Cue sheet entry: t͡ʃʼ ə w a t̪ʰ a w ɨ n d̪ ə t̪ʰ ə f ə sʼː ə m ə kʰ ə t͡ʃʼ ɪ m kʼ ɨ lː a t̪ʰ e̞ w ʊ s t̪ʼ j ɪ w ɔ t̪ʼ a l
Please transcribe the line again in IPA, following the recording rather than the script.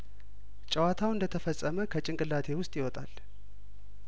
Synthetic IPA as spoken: t͡ʃʼ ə w a t̪ʰ a w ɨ n d̪ ə t̪ʰ ə f ə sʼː ə m ə kʰ ə t͡ʃʼ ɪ ŋ kʼ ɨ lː a t̪ʰ e̞ w ʊ s t̪ʼ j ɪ w ɔ t̪ʼ a l

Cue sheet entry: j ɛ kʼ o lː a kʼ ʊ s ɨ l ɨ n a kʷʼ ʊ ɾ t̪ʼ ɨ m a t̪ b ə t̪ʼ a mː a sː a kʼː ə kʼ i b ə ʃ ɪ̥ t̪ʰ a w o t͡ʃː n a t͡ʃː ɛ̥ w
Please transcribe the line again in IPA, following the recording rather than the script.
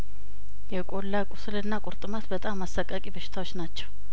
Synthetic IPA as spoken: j ɛ kʼ o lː a kʼ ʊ s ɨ l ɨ nː a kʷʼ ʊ ɾ t̪ʼ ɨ m a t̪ b ə t̪ʼ a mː a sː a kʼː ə kʼ i b ə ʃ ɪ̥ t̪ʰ a w o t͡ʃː n a t͡ʃː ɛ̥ w

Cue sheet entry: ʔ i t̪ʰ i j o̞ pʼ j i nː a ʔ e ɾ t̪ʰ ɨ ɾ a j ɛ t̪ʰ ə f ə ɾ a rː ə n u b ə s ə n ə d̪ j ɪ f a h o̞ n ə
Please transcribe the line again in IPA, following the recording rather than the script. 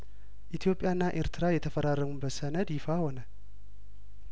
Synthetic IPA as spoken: ʔ i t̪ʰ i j o̞ pʼ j a nː a ʔ e ɾ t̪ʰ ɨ ɾ a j ɛ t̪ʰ ə f ə ɾ a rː ə m u b ə s ə n ə d̪ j ɪ f a h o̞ n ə

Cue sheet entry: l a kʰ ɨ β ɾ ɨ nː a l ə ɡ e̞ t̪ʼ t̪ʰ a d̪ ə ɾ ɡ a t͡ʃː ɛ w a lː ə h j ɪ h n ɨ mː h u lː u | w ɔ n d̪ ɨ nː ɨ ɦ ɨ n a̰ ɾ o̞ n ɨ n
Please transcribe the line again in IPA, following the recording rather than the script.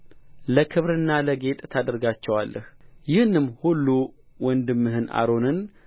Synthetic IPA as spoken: l ə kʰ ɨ β ɾ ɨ nː a l ə ɡ e̞ t̪ʼ t̪ʰ a d̪ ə ɾ ɡ a t͡ʃː ɛ w a lː ə h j ɪ h n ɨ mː h u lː u | w ɔ n d̪ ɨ mː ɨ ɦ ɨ n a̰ ɾ o̞ n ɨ n

